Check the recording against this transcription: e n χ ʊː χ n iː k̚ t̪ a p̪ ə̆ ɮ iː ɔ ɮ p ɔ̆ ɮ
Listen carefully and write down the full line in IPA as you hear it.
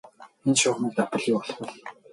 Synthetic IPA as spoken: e n ʃ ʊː χ n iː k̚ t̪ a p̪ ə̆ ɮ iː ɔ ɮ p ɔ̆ ɮ